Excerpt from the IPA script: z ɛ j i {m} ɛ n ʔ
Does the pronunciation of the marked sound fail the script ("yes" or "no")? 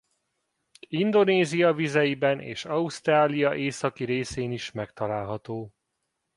yes